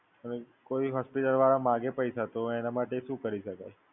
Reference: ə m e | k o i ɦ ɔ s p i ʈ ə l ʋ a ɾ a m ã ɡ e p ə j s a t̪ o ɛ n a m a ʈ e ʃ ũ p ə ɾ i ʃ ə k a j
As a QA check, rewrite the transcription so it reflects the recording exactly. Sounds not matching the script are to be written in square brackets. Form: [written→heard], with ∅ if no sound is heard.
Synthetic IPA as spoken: ə [m→n] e | k o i ɦ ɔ s p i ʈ ə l ʋ a ɾ a m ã ɡ e p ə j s a t̪ o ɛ n a m a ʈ e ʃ ũ [p→k] ə ɾ i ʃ ə k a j

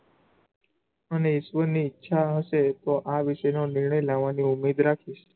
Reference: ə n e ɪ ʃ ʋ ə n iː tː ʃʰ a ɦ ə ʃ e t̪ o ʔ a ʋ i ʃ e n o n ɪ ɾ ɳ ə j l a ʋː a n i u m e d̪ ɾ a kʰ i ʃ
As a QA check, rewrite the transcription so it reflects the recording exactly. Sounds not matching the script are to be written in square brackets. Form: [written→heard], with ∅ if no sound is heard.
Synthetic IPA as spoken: ə n e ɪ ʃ ʋ ə n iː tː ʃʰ a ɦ ə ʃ e t̪ o ʔ a ʋ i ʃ e n o n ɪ ɾ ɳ ə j l a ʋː a n i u m e d̪ ɾ a kʰ i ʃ

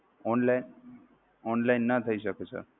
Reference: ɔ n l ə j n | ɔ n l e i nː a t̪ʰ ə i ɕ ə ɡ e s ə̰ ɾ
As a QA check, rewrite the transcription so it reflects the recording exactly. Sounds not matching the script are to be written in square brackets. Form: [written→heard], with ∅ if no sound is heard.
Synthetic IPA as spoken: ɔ n l [ə→a] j n | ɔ n l [e→a] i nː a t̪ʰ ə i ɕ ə [ɡ→k] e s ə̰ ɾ

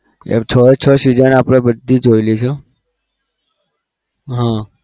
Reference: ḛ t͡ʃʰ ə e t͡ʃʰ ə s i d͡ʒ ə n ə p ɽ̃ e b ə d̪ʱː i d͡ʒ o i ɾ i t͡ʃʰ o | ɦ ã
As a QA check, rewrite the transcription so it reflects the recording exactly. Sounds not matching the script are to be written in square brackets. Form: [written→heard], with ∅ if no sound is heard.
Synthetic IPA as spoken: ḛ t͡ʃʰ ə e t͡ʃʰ ə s i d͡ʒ ə n [ə→a] p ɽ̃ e b ə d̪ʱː i d͡ʒ o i [ɾ→l] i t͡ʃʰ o | ɦ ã

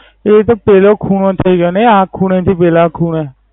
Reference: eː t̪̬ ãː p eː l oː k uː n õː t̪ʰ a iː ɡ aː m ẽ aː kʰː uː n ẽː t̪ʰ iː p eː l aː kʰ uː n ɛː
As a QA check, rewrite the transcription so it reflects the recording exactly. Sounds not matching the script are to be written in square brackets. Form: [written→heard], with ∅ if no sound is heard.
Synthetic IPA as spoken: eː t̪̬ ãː p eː l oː [k→kʰ] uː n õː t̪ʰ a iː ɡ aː [m→n] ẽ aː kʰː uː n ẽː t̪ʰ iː p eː l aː kʰ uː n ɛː

